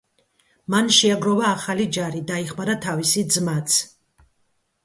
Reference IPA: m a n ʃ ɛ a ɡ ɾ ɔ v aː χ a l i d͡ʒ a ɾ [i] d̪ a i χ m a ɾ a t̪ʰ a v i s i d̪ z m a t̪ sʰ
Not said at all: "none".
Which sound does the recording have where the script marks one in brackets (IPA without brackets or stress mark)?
i